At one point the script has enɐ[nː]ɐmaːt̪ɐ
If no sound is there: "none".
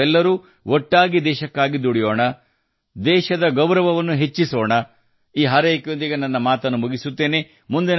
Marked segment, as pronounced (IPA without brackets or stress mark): nː